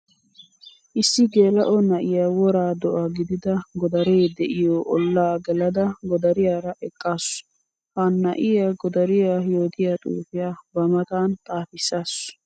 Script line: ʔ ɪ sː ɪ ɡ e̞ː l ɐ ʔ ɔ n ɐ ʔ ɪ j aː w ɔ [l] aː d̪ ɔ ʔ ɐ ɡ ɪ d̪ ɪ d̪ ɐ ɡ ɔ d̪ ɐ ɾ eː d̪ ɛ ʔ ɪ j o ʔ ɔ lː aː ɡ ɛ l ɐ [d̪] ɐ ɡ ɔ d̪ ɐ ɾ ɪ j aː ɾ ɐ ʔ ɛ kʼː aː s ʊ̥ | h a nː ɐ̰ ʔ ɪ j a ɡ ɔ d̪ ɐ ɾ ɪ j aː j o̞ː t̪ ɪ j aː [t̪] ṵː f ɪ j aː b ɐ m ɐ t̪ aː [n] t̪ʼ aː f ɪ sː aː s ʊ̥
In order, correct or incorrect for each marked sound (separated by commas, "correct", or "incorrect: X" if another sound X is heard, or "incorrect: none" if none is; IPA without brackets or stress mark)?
incorrect: ɾ, correct, incorrect: t̪ʼ, correct